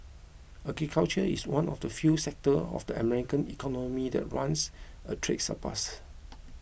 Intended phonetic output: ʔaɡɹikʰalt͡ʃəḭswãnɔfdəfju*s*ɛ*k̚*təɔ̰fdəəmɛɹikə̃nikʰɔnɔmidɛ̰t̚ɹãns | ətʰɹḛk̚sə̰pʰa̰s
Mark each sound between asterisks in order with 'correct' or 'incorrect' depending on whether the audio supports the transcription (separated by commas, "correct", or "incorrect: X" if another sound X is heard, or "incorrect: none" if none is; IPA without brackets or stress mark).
correct, correct